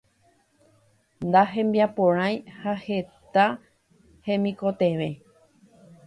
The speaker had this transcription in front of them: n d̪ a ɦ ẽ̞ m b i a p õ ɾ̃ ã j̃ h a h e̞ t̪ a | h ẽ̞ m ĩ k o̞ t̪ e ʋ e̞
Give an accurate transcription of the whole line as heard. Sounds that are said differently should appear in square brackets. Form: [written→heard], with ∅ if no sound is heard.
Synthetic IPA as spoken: n d̪ a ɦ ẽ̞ m b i a p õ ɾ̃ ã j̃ h a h e̞ t̪ a | h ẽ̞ m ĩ k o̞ t̪ e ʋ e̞